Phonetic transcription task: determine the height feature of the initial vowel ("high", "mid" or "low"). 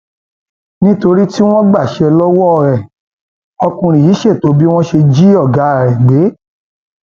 high